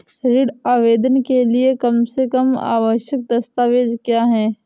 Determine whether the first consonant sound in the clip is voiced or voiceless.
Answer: voiced